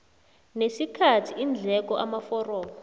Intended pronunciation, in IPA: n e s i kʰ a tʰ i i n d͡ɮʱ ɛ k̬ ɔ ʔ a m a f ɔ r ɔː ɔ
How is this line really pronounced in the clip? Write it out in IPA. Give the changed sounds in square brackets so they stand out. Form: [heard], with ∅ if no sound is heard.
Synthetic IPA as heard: n e s i kʰ a tʰ i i n d͡ɮʱ ɛ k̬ ɔ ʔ a m a f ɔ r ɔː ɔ